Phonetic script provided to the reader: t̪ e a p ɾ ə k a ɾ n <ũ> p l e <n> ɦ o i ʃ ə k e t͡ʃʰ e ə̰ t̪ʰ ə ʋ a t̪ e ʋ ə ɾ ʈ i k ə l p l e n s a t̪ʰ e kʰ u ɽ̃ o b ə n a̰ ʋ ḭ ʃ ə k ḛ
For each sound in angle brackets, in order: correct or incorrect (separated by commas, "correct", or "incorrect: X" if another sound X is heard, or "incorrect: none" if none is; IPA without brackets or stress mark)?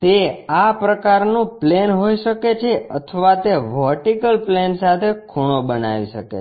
correct, correct